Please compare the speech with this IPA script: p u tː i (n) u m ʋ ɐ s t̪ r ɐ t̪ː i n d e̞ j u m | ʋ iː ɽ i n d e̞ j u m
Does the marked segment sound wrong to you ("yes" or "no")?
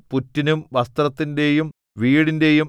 no